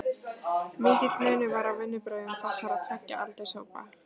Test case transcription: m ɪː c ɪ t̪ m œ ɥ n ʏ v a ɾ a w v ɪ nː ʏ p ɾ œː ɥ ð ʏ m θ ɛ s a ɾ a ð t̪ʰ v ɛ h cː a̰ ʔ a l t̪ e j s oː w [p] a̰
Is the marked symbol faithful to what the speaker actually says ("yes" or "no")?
yes